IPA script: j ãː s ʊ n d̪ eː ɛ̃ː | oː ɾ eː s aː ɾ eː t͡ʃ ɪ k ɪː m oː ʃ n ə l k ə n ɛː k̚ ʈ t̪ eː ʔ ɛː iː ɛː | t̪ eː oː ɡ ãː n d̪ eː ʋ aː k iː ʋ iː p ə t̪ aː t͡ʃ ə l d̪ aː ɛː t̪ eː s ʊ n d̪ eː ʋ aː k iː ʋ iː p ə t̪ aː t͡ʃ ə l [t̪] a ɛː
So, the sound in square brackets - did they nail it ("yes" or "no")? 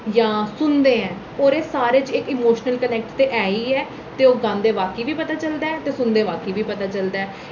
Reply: no